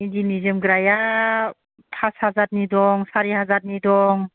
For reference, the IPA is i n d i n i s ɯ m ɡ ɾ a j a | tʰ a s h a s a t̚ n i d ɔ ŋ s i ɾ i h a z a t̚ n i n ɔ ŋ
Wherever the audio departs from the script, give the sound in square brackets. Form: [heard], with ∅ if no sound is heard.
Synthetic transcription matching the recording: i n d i n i [z] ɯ m ɡ ɾ a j a | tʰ a s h a [z] a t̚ n i d ɔ ŋ s [a] ɾ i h a z a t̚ n i [d] ɔ ŋ